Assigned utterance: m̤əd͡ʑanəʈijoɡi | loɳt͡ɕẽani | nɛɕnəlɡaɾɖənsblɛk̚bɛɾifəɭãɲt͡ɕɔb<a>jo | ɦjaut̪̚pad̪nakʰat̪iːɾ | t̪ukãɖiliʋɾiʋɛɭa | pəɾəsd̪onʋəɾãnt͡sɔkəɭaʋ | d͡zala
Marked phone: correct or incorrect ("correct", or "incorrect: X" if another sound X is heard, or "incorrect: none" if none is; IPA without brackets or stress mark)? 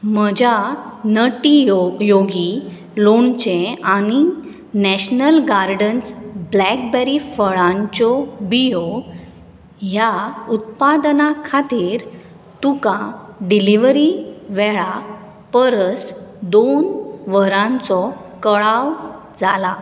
incorrect: i